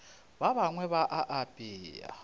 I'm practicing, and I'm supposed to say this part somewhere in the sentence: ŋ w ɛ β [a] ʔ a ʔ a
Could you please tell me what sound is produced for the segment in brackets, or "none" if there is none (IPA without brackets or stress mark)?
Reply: a